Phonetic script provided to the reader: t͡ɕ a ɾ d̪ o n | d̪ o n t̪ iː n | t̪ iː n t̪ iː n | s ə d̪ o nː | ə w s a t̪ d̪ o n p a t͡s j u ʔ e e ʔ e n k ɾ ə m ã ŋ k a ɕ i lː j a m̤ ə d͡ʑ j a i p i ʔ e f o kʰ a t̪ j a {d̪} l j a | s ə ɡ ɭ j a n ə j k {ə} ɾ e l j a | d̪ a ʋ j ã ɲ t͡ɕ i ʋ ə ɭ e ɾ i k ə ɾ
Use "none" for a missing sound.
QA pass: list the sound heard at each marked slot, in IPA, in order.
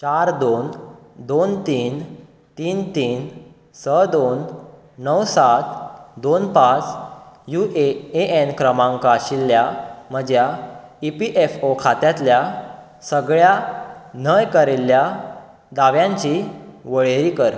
t̪, ə

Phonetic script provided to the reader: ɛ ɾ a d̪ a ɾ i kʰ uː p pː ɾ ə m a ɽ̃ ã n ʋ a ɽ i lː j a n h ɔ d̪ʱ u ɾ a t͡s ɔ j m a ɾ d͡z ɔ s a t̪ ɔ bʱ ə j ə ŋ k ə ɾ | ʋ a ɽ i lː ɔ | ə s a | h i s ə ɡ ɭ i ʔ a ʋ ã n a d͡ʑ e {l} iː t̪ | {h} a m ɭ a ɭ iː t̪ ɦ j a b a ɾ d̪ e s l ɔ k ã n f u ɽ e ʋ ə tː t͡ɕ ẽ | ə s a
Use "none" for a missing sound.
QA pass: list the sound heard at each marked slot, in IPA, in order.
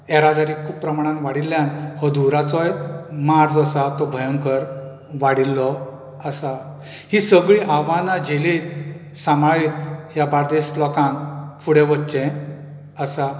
l, s

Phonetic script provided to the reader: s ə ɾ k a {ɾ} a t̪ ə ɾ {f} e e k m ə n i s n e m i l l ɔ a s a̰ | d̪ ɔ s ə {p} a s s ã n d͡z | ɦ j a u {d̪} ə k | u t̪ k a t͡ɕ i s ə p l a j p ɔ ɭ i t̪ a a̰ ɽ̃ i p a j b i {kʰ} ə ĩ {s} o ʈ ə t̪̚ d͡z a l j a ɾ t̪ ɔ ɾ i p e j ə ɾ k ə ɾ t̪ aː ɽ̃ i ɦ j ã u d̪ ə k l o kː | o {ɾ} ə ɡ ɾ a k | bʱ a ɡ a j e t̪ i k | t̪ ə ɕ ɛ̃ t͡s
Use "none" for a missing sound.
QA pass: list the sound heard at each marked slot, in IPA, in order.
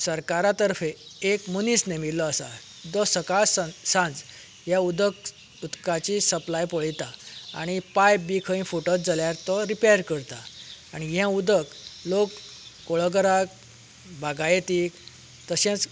ɾ, f, k, d̪, kʰ, f, ɭ

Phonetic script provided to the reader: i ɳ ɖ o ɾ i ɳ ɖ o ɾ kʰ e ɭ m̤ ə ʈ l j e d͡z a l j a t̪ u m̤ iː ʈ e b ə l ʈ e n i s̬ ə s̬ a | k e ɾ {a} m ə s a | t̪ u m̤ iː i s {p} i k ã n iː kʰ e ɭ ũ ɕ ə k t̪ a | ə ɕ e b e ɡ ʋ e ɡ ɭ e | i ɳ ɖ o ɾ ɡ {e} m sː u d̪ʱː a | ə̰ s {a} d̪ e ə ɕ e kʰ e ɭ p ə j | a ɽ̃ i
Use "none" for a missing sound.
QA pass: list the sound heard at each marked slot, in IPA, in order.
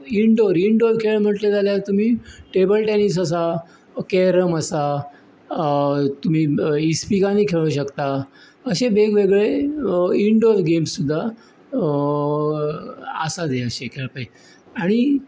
ə, p, e, a

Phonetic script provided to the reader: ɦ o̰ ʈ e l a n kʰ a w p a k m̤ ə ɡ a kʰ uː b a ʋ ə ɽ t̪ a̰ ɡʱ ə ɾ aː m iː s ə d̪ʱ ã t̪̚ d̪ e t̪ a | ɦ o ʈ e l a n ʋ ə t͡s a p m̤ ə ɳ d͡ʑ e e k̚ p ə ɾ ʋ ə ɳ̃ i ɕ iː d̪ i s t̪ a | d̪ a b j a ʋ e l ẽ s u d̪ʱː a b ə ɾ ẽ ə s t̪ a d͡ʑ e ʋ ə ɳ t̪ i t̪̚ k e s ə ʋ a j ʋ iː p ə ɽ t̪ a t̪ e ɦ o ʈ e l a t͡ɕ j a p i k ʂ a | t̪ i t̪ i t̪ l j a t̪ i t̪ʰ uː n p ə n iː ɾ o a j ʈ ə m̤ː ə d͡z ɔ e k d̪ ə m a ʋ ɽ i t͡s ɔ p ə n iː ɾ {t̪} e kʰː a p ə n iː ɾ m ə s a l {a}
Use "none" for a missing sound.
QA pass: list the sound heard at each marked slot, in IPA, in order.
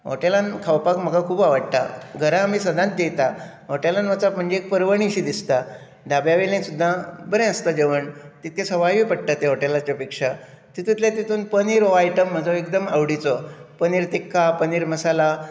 t̪, a

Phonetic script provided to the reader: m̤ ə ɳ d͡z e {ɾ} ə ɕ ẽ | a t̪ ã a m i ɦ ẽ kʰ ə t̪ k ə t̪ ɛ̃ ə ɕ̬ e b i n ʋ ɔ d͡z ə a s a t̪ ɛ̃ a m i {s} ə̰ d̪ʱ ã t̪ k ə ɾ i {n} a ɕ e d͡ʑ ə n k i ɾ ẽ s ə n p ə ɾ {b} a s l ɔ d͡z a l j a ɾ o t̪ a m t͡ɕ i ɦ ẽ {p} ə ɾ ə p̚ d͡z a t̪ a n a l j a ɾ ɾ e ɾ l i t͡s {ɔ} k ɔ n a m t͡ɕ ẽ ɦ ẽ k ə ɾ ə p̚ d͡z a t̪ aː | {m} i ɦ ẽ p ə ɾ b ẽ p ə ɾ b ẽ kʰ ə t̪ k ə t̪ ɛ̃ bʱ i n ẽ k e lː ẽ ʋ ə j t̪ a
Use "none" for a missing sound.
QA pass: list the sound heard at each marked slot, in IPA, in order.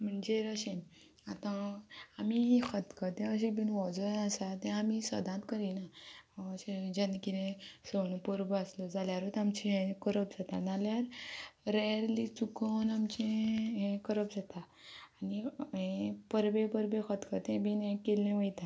ɾ, s, n, b, k, u, n

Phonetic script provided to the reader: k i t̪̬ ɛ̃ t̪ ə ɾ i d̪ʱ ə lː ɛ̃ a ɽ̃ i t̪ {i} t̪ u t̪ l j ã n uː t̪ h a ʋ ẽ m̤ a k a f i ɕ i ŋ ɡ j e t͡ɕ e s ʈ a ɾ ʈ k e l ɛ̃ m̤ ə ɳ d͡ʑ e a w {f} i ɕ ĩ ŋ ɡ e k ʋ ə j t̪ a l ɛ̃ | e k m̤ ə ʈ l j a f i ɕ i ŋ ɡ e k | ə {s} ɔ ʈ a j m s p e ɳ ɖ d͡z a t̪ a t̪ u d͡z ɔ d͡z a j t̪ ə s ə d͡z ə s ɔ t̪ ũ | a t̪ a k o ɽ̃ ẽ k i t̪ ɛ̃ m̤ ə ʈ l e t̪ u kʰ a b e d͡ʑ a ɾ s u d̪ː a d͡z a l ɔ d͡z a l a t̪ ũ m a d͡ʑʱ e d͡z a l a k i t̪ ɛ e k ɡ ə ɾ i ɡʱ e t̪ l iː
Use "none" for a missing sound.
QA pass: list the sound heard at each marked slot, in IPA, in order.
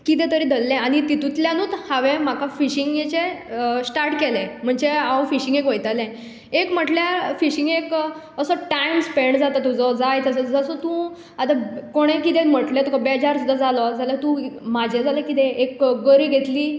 i, f, s

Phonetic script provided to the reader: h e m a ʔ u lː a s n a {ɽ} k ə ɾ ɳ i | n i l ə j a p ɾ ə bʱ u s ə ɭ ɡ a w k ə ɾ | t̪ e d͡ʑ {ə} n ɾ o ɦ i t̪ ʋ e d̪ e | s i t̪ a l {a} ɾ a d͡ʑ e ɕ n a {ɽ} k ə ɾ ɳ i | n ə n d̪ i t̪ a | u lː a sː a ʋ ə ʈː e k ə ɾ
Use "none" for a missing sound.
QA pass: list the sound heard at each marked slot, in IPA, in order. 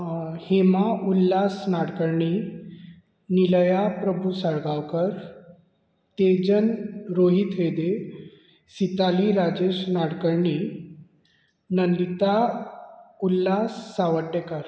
ɽ, ə, i, ɽ

